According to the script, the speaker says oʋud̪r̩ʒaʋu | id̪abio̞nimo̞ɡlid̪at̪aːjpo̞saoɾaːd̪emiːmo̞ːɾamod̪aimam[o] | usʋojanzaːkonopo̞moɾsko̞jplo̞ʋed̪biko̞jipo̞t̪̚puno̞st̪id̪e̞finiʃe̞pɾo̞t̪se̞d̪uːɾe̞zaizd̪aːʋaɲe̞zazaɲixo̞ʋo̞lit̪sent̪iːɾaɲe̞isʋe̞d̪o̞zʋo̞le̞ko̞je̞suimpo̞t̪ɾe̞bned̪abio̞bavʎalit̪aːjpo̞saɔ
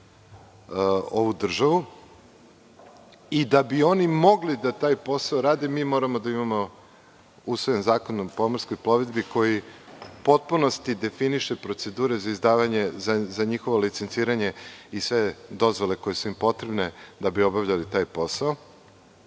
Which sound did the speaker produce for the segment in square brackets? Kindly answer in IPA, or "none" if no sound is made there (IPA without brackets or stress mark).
o